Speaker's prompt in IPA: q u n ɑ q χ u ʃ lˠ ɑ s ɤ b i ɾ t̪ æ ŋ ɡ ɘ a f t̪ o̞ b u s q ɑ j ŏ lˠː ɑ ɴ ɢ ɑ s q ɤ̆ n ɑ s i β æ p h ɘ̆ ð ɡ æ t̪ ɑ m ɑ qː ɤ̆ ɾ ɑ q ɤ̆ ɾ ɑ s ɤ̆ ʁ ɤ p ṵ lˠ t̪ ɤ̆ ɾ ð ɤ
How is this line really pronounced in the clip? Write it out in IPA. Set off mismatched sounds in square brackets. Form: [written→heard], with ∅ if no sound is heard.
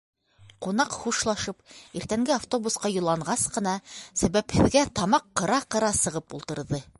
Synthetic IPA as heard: q u n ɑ q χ u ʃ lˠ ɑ [s→ʃ] ɤ [b→p] i ɾ t̪ æ ŋ ɡ ɘ a f t̪ o̞ b u s q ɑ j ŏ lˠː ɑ ɴ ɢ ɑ s q ɤ̆ n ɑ s [i→æ] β æ p h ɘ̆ ð ɡ æ t̪ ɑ m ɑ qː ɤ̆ ɾ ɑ q ɤ̆ ɾ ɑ s ɤ̆ ʁ ɤ p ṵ lˠ t̪ ɤ̆ ɾ ð ɤ